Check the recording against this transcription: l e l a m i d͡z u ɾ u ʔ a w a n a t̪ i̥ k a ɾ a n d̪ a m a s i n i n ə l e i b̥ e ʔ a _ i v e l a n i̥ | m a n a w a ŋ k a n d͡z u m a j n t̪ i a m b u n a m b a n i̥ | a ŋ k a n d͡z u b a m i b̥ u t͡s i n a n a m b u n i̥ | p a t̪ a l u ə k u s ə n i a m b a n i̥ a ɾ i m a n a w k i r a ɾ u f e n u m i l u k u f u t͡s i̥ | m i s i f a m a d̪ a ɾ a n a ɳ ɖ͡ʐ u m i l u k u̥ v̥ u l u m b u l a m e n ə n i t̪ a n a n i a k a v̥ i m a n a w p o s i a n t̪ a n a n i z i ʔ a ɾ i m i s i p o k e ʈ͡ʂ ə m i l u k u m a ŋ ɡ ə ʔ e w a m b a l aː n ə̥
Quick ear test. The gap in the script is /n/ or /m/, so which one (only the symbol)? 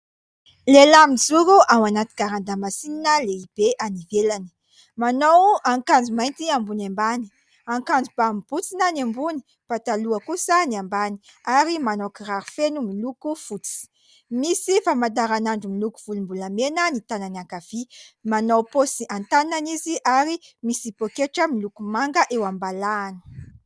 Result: n